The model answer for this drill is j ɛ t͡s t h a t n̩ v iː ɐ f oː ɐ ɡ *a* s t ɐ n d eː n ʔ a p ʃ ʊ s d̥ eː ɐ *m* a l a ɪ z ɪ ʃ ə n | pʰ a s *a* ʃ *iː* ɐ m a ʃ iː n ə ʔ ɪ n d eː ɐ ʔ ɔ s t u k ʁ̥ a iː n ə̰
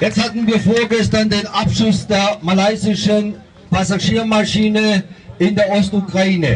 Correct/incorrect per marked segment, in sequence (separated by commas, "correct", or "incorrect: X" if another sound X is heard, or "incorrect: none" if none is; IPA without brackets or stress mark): incorrect: ɛ, correct, correct, correct